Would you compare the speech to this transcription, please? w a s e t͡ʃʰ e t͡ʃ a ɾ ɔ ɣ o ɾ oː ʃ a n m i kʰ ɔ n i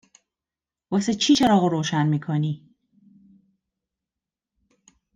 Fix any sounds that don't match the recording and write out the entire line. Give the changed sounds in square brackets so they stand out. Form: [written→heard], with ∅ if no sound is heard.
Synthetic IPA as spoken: w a s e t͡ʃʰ [e→i] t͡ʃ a ɾ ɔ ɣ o ɾ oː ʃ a n m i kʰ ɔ n i